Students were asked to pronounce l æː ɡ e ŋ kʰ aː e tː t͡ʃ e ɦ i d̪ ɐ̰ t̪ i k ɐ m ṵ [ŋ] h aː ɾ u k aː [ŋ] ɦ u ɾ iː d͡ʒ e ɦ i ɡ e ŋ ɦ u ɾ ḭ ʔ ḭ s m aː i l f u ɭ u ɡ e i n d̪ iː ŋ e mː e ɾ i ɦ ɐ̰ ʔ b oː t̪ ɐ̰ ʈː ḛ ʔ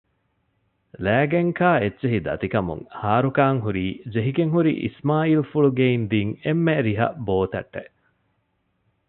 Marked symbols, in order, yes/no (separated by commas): yes, yes